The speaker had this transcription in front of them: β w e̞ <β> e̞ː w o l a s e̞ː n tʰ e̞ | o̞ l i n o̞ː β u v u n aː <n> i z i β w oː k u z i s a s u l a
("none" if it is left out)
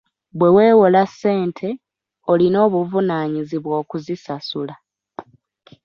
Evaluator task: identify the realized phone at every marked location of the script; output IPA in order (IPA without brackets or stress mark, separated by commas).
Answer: w, ɲ